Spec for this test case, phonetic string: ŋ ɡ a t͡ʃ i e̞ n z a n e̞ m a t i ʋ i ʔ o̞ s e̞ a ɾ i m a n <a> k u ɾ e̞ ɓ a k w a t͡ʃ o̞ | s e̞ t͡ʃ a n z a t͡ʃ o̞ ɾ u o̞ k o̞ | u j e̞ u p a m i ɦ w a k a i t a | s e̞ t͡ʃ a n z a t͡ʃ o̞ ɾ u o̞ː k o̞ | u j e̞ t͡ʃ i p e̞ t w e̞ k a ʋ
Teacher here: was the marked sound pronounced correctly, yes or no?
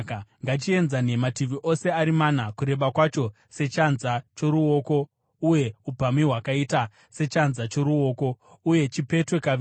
yes